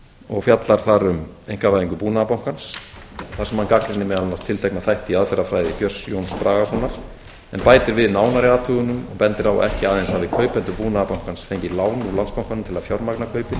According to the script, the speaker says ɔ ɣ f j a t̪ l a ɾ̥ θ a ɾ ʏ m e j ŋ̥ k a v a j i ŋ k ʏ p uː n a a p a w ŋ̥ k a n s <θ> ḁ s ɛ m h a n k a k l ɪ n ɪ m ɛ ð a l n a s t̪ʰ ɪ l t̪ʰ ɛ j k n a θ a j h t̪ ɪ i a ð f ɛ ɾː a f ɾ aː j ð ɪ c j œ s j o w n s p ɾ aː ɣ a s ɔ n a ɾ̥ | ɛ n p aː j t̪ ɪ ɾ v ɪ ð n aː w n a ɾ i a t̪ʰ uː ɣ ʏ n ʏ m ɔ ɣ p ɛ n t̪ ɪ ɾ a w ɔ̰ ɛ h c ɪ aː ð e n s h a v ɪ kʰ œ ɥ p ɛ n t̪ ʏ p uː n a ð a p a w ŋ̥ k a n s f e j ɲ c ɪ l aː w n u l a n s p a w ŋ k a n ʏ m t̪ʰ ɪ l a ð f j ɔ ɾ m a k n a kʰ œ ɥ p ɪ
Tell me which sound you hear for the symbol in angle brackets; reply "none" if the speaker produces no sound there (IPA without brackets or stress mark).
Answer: θ